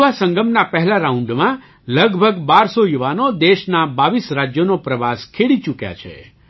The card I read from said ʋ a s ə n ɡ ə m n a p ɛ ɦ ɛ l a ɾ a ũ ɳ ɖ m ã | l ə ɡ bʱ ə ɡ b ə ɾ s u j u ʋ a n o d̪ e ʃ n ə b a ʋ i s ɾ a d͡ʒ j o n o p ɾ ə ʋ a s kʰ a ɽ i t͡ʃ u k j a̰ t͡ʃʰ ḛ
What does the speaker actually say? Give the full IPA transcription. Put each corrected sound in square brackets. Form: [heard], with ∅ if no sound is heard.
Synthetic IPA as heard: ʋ a s ə [ŋ] ɡ ə m n a p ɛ ɦ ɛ l a ɾ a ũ ɳ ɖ m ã | l ə ɡ bʱ ə ɡ b [a] ɾ s [o] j u ʋ a n o d̪ e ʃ n [a] b a ʋ i s ɾ a d͡ʒ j o n o p ɾ ə ʋ a s kʰ [e] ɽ i t͡ʃ u k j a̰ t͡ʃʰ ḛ

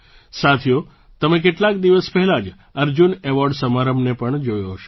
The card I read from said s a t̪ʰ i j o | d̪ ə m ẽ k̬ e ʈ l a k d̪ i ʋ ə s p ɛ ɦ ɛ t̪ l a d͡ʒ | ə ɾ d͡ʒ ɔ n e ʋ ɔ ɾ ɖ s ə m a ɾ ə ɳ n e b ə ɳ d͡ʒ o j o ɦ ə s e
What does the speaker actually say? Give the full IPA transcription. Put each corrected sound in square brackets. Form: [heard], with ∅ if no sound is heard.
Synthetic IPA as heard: s a t̪ʰ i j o | [t̪] ə m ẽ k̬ e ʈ l a k d̪ i ʋ ə s p ɛ ɦ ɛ [∅] l a d͡ʒ | ə ɾ d͡ʒ [u] n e ʋ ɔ ɾ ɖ s ə m a ɾ ə [m] n e [p] ə ɳ d͡ʒ o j o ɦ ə [ʃ] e

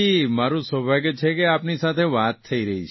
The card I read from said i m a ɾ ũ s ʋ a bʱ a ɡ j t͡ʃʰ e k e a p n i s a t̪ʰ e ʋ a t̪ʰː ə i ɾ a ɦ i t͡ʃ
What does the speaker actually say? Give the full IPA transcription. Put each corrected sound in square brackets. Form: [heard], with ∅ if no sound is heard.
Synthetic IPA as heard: i m a ɾ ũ s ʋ [ə] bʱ a ɡ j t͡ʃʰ e k e a p n i s a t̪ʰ e ʋ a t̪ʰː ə i ɾ [ə] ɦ i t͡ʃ

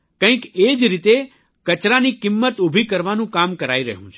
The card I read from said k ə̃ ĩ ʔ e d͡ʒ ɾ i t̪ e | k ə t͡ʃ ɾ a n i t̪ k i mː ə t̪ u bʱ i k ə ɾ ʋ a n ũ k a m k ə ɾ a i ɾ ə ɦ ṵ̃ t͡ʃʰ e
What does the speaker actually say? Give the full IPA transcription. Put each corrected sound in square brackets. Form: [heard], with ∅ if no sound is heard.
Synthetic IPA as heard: k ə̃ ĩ [k] e d͡ʒ ɾ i t̪ e | k ə t͡ʃ ɾ a n i [∅] k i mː ə t̪ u bʱ i k ə ɾ ʋ a n ũ k a m k ə ɾ a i ɾ ə ɦ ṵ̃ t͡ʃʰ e

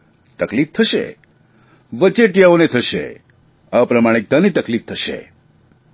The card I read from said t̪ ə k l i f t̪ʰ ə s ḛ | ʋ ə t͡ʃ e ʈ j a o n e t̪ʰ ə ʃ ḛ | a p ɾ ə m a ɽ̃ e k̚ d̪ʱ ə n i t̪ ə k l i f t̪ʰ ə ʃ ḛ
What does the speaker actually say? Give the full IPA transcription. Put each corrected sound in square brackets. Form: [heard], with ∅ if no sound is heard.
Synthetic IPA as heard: t̪ ə k l i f t̪ʰ ə [ʃ] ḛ | ʋ ə t͡ʃ e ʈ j a o n e t̪ʰ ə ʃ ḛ | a p ɾ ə m a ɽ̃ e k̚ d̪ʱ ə n i t̪ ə k l i f t̪ʰ ə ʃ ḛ

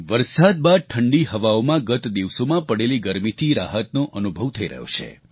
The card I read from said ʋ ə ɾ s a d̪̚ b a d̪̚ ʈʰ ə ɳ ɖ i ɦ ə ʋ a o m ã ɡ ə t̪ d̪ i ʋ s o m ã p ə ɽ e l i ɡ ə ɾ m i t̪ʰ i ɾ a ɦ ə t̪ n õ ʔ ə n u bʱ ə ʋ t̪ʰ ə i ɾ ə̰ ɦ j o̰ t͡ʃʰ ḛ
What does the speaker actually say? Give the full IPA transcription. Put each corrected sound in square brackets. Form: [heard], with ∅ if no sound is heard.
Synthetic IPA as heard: ʋ ə ɾ s a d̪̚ b a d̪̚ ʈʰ ə ɳ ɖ i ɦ ə ʋ a o m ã ɡ ə t̪ d̪ i ʋ s o m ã p ə ɽ e l i ɡ ə ɾ m i t̪ʰ i ɾ a ɦ ə t̪ n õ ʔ ə n u bʱ ə ʋ t̪ʰ ə i ɾ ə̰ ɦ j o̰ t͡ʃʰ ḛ

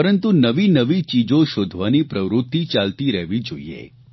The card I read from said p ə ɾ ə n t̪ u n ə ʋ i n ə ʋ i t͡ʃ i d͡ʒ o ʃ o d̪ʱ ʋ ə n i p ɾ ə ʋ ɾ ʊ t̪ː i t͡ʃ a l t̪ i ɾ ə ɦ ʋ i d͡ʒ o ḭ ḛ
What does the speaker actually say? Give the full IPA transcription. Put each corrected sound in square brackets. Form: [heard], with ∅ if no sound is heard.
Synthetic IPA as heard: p ə ɾ ə n t̪ u n ə ʋ i n ə ʋ i t͡ʃ i d͡ʒ o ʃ o d̪ʱ ʋ [a] n i p ɾ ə ʋ ɾ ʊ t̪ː i t͡ʃ a l t̪ i ɾ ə ɦ ʋ i d͡ʒ o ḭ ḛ

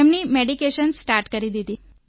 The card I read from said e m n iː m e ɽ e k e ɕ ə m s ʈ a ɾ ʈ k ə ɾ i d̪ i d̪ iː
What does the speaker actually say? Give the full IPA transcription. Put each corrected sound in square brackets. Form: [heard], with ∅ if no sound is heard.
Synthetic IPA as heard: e m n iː m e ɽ [i] k e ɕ ə [n] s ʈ a ɾ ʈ k ə ɾ i d̪ i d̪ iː

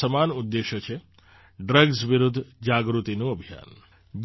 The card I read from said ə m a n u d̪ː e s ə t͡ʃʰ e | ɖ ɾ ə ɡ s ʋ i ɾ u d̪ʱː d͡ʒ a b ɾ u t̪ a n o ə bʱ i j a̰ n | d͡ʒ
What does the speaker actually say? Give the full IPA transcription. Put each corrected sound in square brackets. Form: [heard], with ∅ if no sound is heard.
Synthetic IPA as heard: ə m a n u d̪ː e [ʃ] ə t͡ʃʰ e | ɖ ɾ ə ɡ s ʋ i ɾ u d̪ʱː d͡ʒ a [ɡ] ɾ u t̪ [i] n [u] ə bʱ i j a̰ n | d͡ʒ

